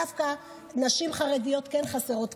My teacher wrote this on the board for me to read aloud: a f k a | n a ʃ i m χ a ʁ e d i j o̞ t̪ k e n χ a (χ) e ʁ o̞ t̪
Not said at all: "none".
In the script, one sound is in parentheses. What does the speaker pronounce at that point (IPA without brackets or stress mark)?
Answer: s